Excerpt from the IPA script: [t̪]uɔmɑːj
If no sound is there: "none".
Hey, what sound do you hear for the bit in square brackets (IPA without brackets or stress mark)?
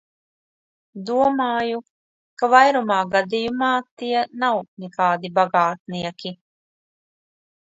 d̪